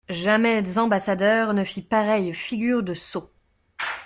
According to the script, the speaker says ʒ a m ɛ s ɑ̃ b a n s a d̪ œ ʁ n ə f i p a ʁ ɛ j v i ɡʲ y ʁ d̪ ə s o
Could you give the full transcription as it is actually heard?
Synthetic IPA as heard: ʒ a m ɛ z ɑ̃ b a s a d̪ œ ʁ n ə f i p a ʁ ɛ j f i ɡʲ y ʁ d̪ ə s o